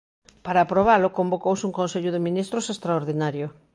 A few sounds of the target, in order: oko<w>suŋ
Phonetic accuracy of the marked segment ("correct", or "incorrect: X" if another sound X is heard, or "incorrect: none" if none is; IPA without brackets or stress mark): correct